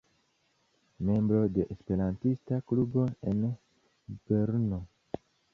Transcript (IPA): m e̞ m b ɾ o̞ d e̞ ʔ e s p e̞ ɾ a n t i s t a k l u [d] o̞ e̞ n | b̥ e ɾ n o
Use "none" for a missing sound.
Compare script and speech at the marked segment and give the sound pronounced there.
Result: b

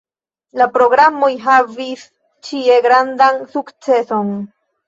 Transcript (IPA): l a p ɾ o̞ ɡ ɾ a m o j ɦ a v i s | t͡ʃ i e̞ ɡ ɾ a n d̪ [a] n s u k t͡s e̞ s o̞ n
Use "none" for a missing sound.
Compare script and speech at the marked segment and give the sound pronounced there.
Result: a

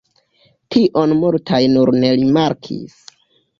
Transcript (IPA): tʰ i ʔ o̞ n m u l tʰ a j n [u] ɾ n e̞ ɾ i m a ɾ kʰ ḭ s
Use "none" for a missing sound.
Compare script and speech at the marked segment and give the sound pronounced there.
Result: u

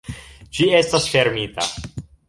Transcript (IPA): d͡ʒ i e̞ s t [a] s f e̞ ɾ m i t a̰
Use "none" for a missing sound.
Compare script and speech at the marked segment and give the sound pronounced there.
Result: a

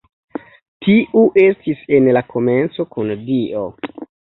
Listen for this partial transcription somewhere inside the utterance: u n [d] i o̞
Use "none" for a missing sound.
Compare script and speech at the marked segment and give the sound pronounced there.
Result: d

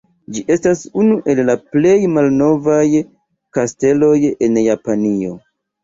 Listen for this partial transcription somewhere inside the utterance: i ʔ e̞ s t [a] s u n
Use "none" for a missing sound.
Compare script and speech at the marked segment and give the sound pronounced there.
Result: a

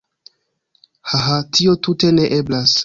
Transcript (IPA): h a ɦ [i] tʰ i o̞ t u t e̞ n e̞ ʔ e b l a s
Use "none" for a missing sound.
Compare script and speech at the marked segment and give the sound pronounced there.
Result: a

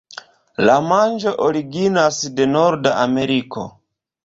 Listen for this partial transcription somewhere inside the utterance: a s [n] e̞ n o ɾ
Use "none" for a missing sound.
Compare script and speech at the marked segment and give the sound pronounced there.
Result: d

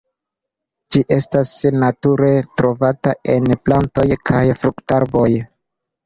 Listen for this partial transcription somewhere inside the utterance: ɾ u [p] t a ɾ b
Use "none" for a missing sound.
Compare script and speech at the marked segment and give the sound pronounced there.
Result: k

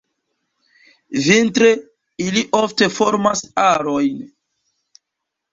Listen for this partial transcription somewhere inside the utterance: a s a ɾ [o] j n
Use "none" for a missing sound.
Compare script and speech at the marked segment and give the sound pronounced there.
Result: o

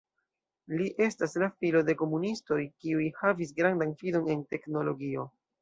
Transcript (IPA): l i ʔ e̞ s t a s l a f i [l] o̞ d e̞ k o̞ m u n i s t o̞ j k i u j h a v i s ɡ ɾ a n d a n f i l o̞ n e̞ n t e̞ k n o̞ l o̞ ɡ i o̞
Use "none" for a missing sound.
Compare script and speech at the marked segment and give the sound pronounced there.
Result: l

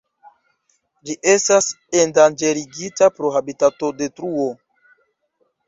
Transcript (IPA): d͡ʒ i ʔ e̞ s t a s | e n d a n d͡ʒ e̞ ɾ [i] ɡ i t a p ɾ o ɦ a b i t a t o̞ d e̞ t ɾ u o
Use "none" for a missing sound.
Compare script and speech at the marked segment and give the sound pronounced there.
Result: i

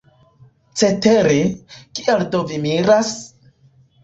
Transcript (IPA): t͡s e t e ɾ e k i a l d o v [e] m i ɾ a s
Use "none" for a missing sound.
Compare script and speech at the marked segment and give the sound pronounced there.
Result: i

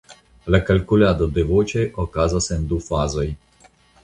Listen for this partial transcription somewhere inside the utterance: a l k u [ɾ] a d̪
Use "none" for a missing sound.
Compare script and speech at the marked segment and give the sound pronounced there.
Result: l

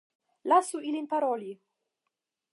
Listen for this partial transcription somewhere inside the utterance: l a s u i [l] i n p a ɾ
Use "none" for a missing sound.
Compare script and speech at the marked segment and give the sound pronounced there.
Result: l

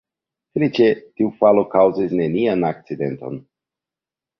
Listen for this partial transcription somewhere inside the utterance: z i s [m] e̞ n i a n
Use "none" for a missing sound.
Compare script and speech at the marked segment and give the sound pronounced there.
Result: n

